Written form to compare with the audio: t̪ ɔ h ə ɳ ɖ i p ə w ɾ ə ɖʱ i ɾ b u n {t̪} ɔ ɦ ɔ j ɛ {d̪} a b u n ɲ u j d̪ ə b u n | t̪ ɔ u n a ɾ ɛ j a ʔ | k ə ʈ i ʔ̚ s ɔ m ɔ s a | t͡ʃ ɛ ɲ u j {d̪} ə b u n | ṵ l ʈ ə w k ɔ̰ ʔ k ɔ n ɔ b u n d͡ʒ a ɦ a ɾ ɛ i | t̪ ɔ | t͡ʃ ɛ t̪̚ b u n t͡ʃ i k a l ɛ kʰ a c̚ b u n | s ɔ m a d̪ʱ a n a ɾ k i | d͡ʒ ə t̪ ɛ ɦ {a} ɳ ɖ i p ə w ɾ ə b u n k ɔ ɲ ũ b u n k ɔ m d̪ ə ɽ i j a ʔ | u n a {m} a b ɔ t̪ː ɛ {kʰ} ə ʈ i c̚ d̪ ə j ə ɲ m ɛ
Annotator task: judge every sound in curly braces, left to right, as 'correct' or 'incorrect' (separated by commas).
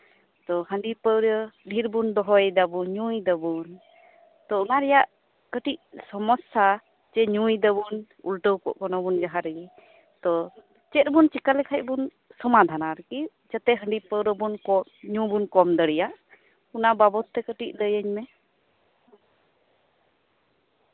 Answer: incorrect, correct, correct, incorrect, incorrect, incorrect